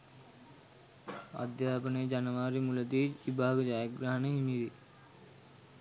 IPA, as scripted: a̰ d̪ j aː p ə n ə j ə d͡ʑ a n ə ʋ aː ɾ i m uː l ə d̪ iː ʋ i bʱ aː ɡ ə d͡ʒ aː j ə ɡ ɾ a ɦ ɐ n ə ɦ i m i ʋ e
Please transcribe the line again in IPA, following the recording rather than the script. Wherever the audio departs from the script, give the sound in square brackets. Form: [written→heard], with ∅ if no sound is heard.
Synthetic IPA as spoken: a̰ d̪ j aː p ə n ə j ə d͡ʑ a n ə ʋ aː ɾ i m [uː→u] l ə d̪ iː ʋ i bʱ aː ɡ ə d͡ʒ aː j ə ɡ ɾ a ɦ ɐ n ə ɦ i m i ʋ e